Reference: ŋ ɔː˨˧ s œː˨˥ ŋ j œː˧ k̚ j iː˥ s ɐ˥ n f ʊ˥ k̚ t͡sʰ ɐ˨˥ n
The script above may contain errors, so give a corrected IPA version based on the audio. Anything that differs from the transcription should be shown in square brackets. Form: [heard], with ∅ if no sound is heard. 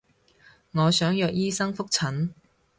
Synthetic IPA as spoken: ŋ ɔː˨˧ s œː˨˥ ŋ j œː˧ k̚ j iː˥ s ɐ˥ [ŋ] f ʊ˥ k̚ t͡sʰ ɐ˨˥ n